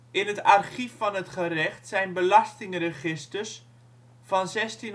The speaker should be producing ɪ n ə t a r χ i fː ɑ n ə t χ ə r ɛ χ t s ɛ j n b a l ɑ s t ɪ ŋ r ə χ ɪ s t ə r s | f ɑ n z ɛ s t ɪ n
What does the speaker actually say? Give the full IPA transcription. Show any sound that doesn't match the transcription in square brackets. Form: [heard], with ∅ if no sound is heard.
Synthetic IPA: ɪ n ə t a r χ i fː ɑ n ə t χ ə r ɛ χ t s ɛ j n b [ə] l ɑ s t ɪ ŋ r ə χ ɪ s t ə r s | f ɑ n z ɛ s t [i] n